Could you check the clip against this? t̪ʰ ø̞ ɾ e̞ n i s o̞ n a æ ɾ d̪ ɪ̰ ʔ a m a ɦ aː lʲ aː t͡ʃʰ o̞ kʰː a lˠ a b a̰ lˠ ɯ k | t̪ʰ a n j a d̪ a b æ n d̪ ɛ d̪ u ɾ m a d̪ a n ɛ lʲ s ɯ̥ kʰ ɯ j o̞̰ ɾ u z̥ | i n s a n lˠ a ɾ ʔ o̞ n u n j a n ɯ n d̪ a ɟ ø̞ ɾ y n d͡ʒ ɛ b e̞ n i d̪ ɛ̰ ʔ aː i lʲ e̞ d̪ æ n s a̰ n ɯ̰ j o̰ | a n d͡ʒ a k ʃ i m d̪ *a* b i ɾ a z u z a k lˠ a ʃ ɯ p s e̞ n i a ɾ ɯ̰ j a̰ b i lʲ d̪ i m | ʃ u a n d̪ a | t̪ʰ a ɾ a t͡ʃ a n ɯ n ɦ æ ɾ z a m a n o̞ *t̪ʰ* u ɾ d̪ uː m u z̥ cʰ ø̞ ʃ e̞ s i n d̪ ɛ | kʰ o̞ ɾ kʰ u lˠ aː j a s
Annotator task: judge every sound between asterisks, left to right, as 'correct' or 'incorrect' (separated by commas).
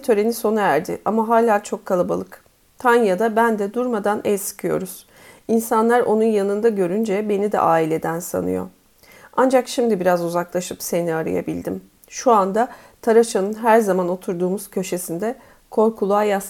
incorrect, correct